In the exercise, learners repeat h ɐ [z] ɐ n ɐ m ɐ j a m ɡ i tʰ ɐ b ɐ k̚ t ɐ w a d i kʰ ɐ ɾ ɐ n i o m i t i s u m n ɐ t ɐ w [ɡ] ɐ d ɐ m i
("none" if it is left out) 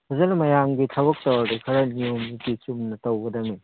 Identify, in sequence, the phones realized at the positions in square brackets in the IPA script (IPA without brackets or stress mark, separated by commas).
z, ɡ